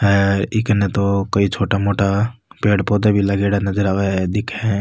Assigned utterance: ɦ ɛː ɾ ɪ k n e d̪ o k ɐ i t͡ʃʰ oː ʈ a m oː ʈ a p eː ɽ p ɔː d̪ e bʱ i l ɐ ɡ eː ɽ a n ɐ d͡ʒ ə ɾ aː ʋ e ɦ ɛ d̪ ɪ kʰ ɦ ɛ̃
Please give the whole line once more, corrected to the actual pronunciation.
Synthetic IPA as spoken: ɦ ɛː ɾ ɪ k n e t̪ o k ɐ i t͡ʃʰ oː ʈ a m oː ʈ a p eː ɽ p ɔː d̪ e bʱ i l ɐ ɡ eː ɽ a n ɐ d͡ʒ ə ɾ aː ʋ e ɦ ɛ d̪ ɪ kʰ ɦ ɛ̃